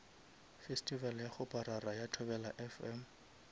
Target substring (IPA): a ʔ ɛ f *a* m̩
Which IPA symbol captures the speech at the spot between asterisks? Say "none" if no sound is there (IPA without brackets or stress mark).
ɛ